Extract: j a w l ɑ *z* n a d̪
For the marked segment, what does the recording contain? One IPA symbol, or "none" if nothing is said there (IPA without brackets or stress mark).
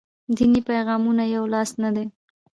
s